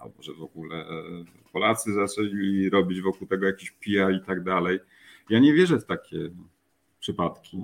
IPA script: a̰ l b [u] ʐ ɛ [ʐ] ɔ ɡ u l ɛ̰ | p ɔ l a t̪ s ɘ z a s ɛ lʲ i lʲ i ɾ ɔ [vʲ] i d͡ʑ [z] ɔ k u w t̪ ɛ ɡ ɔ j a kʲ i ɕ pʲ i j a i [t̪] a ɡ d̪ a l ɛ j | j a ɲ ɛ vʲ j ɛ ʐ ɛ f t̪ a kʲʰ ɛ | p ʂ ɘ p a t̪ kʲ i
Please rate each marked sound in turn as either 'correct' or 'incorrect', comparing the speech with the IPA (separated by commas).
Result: incorrect, incorrect, incorrect, incorrect, correct